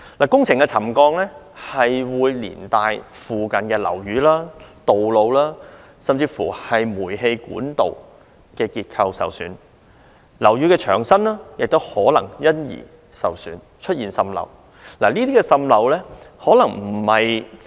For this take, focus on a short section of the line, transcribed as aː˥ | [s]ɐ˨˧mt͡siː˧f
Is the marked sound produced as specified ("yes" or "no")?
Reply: yes